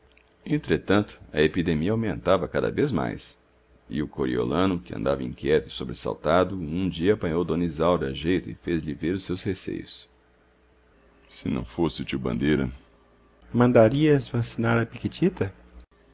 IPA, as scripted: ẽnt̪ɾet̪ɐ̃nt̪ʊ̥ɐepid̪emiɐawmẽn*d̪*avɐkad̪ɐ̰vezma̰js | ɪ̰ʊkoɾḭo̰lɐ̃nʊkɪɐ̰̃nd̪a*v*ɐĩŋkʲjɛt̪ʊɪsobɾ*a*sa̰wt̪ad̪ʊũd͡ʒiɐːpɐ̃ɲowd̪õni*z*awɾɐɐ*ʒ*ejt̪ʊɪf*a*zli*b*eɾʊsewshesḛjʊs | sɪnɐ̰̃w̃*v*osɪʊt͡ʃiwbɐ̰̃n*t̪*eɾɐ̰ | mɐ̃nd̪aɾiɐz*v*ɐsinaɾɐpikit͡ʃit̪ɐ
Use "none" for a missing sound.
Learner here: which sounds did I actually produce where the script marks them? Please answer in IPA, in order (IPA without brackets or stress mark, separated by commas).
t̪, v, e, z, ʒ, e, v, f, d̪, v